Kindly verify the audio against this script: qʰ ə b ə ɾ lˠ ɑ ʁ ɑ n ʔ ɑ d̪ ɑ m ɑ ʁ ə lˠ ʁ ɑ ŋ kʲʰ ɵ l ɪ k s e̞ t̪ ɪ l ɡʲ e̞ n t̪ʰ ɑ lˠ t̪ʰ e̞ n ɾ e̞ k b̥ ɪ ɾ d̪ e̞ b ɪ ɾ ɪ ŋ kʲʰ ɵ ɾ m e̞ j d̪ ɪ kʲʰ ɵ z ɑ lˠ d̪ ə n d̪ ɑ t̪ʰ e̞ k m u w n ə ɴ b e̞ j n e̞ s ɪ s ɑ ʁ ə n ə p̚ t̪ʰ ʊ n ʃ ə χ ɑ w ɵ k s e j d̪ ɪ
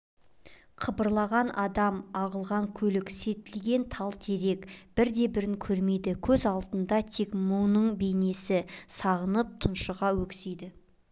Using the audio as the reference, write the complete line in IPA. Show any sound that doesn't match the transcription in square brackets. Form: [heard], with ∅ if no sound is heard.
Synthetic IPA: qʰ ə b ə ɾ lˠ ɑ ʁ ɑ n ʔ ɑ d̪ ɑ m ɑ ʁ ə lˠ ʁ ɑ ŋ kʲʰ ɵ l ɪ k s e̞ t̪ ɪ l ɡʲ e̞ n t̪ʰ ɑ lˠ t̪ʰ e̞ [∅] ɾ e̞ k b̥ ɪ ɾ d̪ e̞ b ɪ ɾ ɪ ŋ kʲʰ ɵ ɾ m e̞ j d̪ ɪ kʲʰ ɵ z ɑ lˠ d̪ ə n d̪ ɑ t̪ʰ e̞ k m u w n ə ɴ b e̞ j n e̞ s ɪ s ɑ ʁ ə n ə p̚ t̪ʰ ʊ n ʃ ə [ʁ] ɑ w ɵ k s e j d̪ ɪ

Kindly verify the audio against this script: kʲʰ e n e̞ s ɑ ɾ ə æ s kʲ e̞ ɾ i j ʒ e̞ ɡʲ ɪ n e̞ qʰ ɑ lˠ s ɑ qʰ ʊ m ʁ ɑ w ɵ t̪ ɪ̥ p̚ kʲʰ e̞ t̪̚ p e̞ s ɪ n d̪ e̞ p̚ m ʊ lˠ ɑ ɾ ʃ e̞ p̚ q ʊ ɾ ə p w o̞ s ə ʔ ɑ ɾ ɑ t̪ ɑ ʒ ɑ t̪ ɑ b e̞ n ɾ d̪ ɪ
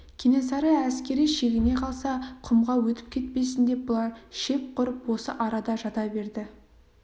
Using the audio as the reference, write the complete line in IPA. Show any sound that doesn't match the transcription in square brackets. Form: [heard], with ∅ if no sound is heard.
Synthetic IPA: kʲʰ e n e̞ s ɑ ɾ ə æ s kʲ e̞ ɾ i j [ʃ] e̞ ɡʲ ɪ n e̞ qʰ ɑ lˠ s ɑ qʰ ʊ m ʁ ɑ w ɵ t̪ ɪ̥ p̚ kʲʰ e̞ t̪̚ p e̞ s ɪ n d̪ e̞ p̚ [b] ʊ lˠ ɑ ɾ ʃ e̞ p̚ q ʊ ɾ ə p w o̞ s ə ʔ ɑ ɾ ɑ [d̪] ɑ ʒ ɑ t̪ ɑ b e̞ [∅] ɾ d̪ ɪ

